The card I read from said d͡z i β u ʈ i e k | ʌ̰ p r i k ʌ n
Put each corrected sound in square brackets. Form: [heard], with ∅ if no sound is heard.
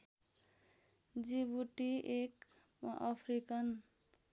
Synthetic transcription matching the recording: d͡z i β u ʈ i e k | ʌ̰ [pʰ] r i k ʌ n